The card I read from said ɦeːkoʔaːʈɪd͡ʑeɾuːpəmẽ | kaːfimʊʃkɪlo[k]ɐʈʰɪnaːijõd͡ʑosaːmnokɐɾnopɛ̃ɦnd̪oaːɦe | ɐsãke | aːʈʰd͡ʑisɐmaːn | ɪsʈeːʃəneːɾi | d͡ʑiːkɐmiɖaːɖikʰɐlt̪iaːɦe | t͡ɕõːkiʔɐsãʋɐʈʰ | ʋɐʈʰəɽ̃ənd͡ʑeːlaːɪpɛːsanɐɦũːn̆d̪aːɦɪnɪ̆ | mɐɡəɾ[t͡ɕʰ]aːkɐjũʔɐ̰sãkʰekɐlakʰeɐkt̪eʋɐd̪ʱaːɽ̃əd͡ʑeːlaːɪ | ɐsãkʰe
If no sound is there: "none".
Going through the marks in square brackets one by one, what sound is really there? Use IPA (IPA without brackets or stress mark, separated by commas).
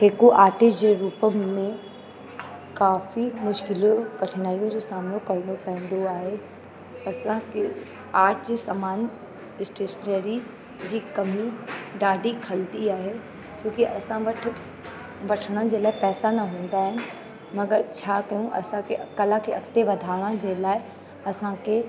k, t͡ɕʰ